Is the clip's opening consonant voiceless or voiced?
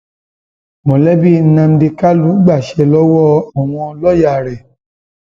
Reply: voiced